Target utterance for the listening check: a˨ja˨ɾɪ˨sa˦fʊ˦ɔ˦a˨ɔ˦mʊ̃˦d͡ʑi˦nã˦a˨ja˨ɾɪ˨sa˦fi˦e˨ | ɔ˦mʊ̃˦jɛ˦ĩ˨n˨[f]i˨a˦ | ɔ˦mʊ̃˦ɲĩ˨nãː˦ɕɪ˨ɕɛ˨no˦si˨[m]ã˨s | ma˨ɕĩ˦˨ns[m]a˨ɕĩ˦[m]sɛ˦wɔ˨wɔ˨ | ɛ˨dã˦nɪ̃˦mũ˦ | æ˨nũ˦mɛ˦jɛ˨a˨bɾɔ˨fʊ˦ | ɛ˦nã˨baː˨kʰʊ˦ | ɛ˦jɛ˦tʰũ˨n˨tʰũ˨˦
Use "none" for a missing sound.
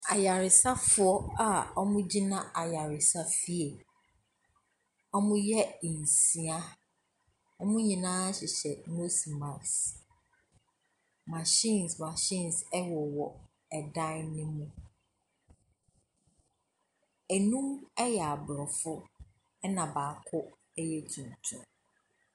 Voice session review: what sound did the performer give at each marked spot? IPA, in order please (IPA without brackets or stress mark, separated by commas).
s, m, m, n